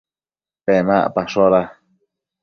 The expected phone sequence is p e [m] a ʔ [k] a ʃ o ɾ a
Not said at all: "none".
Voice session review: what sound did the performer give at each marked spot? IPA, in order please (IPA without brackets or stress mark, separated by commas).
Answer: m, p